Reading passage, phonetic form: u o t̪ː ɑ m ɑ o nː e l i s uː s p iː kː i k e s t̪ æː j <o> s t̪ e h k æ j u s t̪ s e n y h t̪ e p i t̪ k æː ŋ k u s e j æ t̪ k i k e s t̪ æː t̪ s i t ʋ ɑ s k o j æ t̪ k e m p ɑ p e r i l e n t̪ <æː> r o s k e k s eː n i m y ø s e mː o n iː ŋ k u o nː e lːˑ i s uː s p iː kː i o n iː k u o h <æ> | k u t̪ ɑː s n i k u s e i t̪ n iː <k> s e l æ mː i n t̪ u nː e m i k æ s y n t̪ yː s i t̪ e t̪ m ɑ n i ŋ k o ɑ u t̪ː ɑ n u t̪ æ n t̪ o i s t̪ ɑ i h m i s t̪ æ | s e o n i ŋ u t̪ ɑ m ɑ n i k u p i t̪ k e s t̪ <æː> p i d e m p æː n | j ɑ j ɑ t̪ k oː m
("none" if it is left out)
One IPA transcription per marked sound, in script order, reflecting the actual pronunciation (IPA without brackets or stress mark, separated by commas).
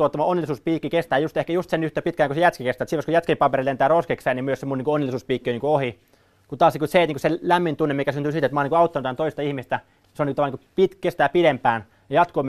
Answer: u, æː, i, k, æː